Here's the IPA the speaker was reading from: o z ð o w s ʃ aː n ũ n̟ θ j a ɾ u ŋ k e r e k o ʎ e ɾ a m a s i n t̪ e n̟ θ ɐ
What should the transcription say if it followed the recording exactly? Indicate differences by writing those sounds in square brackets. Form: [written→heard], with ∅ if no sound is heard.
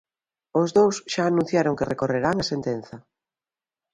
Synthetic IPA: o z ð o w s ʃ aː n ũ n̟ θ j a ɾ [u→o] ŋ k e r e k o [ʎ→r] e ɾ a [m→ŋ] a s [i→e] n t̪ e n̟ θ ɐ

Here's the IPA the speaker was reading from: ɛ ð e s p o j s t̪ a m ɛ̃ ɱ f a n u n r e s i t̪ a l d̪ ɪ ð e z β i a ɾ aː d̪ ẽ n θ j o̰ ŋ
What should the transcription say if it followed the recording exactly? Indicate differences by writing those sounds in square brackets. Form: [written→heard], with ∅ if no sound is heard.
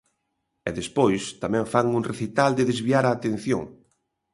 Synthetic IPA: ɛ ð e s p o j s t̪ a m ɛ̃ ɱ f a [n→ŋ] u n r e [s→θ] i t̪ a l d̪ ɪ ð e z β i a ɾ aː [d̪→t̪] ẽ n θ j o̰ ŋ

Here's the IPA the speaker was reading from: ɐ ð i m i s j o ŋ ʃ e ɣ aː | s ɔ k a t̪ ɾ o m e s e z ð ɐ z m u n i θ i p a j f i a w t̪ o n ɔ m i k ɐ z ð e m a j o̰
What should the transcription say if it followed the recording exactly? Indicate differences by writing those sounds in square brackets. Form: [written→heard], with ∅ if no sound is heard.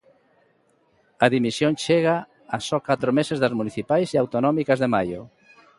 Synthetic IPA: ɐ ð i m i s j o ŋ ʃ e ɣ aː | s ɔ k a t̪ ɾ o m e s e z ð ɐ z m u n i θ i p a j [f→s] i a w t̪ o n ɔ m i k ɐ z ð e m a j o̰

